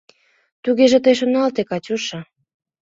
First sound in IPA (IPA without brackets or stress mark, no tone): t̪